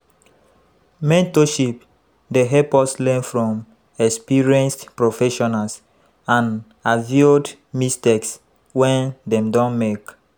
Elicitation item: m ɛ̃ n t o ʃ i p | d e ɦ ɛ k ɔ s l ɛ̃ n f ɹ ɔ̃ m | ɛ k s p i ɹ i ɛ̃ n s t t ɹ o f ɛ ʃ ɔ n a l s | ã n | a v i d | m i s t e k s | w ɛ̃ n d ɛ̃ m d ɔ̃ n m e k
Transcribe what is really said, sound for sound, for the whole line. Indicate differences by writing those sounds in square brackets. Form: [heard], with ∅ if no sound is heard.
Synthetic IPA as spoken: m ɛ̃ n t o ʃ i p | d e ɦ ɛ [p] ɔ s l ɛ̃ n f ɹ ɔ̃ m | ɛ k s p i ɹ i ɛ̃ n s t [p] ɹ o f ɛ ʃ ɔ n a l s | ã n | a v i d | m i s t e k s | w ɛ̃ n d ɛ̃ m d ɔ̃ n m e k